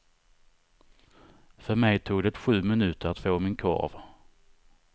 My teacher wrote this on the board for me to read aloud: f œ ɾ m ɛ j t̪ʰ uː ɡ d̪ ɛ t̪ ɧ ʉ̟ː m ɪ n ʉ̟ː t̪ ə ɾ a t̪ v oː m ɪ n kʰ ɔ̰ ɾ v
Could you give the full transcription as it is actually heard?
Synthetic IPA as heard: f œ ɾ m ɛ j t̪ʰ uː ɡ d̪ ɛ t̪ ɧ ʉ̟ː m ɪ n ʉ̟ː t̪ ə ɾ a t̪ f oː m ɪ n kʰ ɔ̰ ɾ v